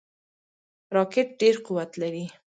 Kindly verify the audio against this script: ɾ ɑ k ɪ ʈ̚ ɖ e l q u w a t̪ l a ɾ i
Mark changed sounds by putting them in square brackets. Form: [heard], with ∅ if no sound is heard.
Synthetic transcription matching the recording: ɾ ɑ k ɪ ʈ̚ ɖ e [ɾ] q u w a t̪ l a ɾ i